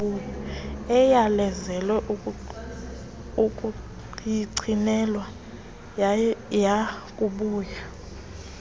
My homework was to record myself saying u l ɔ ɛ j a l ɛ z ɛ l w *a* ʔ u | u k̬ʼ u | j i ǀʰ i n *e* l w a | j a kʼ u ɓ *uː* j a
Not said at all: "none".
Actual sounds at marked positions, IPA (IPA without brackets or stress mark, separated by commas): ɛ, ɛ, uː